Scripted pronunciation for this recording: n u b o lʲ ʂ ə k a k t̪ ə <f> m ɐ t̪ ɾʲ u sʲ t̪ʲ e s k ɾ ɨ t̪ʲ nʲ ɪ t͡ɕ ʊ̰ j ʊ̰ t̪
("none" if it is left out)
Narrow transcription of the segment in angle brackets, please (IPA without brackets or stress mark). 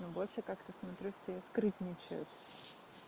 s